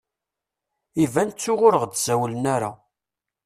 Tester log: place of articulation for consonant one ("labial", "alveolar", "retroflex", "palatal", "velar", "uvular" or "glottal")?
labial